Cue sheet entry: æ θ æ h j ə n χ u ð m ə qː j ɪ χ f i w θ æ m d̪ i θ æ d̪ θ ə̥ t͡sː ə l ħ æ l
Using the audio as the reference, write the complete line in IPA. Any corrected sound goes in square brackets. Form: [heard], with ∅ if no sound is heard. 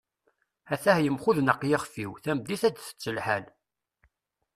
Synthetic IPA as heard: æ θ æ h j ə [m] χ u ð [n] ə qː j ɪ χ f i w θ æ m d̪ i θ æ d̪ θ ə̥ t͡sː ə l ħ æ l